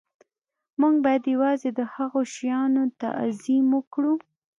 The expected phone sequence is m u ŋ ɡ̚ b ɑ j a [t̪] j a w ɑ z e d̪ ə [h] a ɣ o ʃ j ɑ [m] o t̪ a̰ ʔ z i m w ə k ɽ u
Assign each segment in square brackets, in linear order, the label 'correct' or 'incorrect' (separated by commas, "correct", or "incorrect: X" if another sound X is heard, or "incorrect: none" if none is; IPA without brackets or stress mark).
incorrect: d̪, correct, incorrect: n